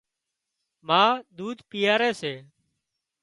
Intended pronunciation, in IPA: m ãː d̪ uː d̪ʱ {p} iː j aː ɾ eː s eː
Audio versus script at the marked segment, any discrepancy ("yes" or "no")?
no